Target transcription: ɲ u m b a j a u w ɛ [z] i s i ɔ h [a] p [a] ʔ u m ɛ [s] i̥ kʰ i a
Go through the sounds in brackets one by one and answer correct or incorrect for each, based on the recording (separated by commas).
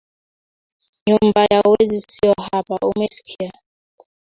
correct, correct, correct, correct